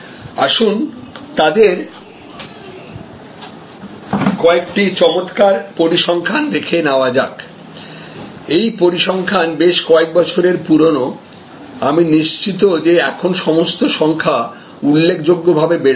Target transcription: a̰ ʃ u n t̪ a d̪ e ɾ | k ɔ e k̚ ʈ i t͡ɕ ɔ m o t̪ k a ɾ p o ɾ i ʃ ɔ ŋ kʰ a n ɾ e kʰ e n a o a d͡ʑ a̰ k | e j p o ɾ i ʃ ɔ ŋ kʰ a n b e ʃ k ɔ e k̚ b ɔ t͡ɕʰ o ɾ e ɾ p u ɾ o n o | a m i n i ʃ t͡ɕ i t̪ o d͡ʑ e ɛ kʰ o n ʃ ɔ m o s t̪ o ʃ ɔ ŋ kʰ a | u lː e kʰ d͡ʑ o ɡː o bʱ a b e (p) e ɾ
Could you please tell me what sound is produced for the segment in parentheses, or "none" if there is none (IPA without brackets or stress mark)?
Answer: b